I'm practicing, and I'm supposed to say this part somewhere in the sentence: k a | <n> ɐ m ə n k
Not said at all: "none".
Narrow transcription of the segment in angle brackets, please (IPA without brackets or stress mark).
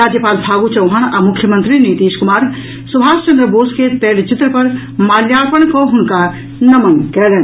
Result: n